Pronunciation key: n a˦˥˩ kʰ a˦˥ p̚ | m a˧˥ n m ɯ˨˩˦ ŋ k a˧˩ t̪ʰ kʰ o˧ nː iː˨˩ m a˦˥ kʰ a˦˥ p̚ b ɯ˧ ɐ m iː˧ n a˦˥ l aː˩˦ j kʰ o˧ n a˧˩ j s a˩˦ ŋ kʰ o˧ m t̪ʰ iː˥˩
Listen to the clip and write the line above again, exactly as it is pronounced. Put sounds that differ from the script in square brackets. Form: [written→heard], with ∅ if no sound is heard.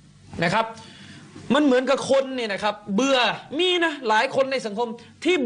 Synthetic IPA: n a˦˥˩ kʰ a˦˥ p̚ | m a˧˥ n m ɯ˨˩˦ [ŋ→n] k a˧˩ [t̪ʰ→∅] kʰ o˧ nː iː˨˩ [m→n] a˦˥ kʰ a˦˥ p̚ b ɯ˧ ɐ m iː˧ n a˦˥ l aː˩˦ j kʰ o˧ [n→nː] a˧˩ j s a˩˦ ŋ kʰ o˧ m t̪ʰ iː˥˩